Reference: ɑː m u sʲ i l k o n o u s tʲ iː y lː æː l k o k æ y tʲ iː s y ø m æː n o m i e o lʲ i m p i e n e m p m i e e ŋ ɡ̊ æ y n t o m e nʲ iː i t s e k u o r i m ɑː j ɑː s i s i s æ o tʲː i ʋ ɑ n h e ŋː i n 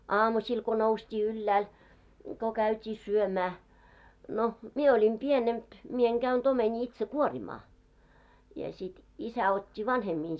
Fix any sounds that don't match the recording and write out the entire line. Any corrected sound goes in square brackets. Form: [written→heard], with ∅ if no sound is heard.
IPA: ɑː m u sʲ i l k o n o u s tʲ iː y lː æː l k o k æ y tʲ iː s y ø m æː n o m i e o lʲ i m p i e n e m p m i e e ŋ ɡ̊ æ y n t o m e nʲ iː i t s e k u o r i m ɑː j [ɑː→ɑ] s i [s→t] i s æ o tʲː i ʋ ɑ n h e [ŋː→mː] i n

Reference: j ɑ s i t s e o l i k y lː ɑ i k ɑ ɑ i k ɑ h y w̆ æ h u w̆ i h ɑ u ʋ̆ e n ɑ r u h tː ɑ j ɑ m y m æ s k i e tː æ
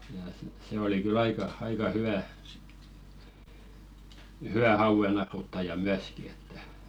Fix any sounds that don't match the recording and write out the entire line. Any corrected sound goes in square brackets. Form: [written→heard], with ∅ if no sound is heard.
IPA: j ɑ s i t s e o l i k y [lː→l] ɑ i k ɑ ɑ i k ɑ h y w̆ æ h u w̆ [i→æ] h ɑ u ʋ̆ e n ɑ r u [h→∅] tː ɑ j ɑ m y [m→∅] æ s k i e tː æ

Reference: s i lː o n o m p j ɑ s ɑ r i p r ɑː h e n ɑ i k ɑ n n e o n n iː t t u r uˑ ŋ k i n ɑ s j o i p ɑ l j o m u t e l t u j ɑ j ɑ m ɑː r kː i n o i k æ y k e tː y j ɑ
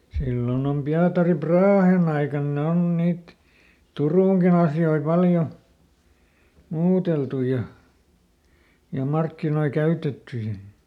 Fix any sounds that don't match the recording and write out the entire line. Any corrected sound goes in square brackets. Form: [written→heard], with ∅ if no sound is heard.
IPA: s i lː o n o m p [j→i] ɑ [s→t] ɑ r i p r ɑː h e n ɑ i k ɑ n n e o n n iː t t u r uˑ ŋ k i n ɑ s j o i p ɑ l j o m [u→uː] t e l t u j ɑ j ɑ m [ɑː→ɑ] r kː i n o i k æ y [k→t] e tː y j ɑ

